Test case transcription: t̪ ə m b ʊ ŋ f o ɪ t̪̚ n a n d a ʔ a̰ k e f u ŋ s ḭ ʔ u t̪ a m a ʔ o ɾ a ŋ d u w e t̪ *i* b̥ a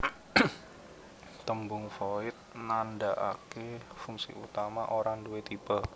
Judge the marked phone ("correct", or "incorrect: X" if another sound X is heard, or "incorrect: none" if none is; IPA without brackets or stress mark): correct